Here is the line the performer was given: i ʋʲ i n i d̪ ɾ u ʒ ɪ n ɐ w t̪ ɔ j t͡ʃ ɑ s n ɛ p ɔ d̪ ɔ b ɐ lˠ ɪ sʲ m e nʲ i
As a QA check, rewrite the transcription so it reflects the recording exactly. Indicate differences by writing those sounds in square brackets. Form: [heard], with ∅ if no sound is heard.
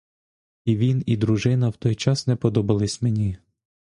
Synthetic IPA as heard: i ʋʲ i n i d̪ ɾ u ʒ ɪ n ɐ w t̪ ɔ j t͡ʃ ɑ s n ɛ p ɔ d̪ ɔ b ɐ lˠ ɪ sʲ m e nʲ i